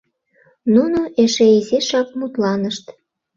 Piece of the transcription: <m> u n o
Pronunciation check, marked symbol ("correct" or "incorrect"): incorrect